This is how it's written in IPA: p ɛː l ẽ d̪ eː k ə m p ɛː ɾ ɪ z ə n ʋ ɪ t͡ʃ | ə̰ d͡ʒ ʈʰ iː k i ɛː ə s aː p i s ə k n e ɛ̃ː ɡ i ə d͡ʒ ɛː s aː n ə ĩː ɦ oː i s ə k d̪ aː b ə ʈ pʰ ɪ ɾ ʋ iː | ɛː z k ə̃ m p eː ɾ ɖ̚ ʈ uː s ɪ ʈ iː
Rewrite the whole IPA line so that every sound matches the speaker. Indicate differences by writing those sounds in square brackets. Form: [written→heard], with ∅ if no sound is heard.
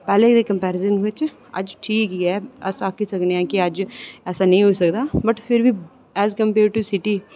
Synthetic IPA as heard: p ɛː l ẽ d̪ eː k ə m p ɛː ɾ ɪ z ə n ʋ ɪ t͡ʃ | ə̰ d͡ʒ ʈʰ iː k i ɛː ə s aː [p→k] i s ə k n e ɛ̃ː [ɡ→k] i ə d͡ʒ ɛː s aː n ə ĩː ɦ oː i s ə k d̪ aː b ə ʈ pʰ ɪ ɾ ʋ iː | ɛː z k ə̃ m p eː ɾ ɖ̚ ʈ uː s ɪ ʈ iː